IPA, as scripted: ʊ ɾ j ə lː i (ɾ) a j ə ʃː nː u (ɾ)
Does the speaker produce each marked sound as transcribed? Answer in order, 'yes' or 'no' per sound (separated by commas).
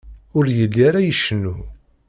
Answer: yes, no